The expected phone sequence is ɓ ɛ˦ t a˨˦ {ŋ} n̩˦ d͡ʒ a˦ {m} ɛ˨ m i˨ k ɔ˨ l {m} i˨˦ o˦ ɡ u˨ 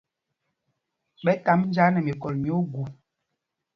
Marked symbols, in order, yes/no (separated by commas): no, no, yes